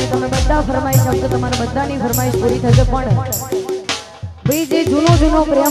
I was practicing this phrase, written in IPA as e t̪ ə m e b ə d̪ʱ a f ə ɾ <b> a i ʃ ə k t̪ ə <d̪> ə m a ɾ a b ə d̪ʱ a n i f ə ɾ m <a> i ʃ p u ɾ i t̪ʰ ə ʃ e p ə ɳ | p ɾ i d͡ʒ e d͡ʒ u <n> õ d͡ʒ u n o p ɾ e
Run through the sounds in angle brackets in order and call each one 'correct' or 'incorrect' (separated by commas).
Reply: incorrect, incorrect, correct, correct